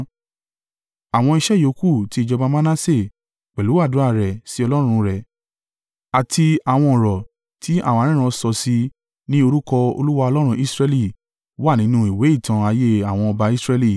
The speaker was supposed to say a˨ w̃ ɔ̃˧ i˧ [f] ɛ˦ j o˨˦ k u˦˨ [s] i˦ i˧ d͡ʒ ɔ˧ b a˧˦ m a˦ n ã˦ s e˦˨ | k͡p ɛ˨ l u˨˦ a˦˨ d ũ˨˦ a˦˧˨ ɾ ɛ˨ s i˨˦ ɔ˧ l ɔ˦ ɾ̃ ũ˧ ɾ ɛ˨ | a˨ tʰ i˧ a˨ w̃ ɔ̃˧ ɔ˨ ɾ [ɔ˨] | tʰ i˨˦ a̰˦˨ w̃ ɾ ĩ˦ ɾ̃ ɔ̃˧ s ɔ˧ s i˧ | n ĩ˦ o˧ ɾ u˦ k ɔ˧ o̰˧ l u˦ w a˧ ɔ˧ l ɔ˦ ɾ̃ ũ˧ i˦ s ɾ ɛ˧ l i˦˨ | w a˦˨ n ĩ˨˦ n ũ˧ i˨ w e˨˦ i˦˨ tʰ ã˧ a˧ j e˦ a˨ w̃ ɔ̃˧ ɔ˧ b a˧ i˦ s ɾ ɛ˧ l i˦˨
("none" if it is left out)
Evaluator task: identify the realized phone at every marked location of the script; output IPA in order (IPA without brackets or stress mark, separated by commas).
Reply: ʃ, t, ɔ˨